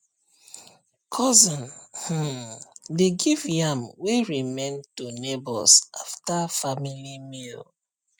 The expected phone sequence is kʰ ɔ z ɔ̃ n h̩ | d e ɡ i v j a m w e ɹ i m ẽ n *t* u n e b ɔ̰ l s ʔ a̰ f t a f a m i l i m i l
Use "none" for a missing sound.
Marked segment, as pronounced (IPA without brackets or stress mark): t